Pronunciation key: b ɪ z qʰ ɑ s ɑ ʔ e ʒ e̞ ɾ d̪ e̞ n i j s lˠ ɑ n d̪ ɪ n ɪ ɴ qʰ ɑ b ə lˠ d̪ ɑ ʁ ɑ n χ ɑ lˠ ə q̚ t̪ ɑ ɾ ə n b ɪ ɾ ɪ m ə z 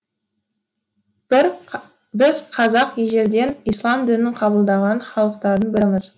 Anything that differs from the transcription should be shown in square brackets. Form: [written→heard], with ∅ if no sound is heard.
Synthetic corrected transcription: b ɪ z qʰ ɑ [s→z] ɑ [ʔ→q] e ʒ e̞ ɾ d̪ e̞ n i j s lˠ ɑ [n→m] d̪ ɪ n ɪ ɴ qʰ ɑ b ə lˠ d̪ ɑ ʁ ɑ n χ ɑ lˠ ə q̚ t̪ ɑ ɾ ə n b ɪ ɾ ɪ m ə z